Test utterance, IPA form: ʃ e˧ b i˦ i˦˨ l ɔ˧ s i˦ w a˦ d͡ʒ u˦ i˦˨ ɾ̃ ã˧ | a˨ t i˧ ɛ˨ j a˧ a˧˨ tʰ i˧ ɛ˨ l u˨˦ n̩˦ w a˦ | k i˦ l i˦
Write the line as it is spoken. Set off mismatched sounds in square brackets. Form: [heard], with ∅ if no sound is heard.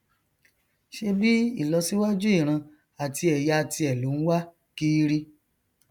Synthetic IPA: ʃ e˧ b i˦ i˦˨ l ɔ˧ s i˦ w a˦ d͡ʒ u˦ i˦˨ ɾ̃ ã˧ | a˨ t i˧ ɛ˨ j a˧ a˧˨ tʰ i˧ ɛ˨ l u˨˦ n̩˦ w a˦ | k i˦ [ɾ] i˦